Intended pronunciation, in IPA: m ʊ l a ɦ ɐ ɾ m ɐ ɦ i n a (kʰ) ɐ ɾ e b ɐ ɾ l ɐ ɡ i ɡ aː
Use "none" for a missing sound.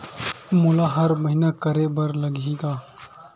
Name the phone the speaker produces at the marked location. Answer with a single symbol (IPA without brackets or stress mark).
k